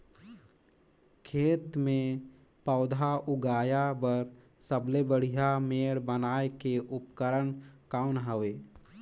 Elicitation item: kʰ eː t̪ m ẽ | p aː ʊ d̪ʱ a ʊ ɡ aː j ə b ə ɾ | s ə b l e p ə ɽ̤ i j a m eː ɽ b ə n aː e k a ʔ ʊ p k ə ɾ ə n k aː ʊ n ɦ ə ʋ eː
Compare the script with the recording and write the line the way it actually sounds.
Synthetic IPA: kʰ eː t̪ m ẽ | p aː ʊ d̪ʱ a ʊ ɡ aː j a b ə ɾ | s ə b l e b ə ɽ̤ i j a m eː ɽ b ə n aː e k e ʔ ʊ p k ə ɾ ə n k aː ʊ n ɦ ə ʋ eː